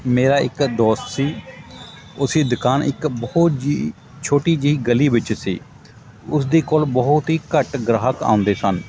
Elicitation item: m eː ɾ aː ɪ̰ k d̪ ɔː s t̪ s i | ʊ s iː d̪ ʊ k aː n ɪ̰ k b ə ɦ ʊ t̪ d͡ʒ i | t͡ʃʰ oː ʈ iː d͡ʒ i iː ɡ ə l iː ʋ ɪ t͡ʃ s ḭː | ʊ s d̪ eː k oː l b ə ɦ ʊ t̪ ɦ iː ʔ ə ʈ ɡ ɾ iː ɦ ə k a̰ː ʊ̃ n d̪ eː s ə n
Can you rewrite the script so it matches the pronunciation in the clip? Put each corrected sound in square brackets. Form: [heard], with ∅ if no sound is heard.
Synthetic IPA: m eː ɾ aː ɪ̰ k d̪ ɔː s t̪ s [iː] | ʊ s iː d̪ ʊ k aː n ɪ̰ k b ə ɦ ʊ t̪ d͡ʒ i | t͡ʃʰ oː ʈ iː d͡ʒ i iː ɡ ə l iː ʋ ɪ t͡ʃ s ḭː | ʊ s d̪ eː k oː l b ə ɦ ʊ t̪ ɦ iː [k] ə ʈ ɡ ɾ [aː] ɦ ə k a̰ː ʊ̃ n d̪ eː s ə n